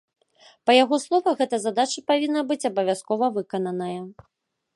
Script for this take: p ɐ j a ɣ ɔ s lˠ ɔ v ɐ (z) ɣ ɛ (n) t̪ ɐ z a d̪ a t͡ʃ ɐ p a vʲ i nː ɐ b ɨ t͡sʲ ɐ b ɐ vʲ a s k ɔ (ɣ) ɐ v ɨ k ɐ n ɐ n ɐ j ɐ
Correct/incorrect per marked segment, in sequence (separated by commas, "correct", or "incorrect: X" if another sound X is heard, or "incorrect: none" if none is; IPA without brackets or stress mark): incorrect: none, incorrect: none, incorrect: v